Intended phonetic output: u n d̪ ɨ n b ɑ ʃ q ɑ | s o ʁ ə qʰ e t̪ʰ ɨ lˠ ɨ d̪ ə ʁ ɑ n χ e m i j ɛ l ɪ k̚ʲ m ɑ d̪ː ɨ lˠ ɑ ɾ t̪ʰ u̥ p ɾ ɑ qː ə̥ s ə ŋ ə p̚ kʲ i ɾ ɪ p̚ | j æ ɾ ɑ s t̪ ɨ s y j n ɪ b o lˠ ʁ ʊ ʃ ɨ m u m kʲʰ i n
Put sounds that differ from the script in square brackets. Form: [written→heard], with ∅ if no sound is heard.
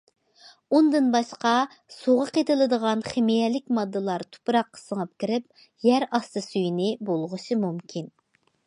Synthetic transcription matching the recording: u n d̪ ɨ n b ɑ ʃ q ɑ | s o ʁ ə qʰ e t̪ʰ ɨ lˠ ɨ d̪ ə ʁ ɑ n χ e m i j ɛ l ɪ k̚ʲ m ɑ d̪ː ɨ lˠ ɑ ɾ t̪ʰ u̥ p ɾ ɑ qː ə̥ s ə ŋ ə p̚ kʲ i ɾ ɪ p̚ | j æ ɾ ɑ s t̪ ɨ s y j n ɪ b o lˠ ʁ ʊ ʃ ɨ m u m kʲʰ i n